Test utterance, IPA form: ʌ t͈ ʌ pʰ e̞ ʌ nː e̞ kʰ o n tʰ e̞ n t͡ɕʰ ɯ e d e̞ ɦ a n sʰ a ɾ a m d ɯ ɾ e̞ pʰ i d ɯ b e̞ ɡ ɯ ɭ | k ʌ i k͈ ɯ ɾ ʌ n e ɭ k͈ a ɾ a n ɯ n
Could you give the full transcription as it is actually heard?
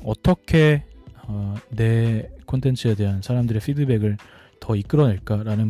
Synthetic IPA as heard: ʌ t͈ ʌ kʰ e̞ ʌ n e̞ kʰ o n tʰ e̞ n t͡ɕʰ ɯ e d e̞ ɦ a n sʰ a ɾ a m d ɯ ɾ e̞ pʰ i d ɯ b e̞ ɡ ɯ ɭ | t ʌ i k͈ ɯ ɾ ʌ n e ɭ k͈ a ɾ a n ɯ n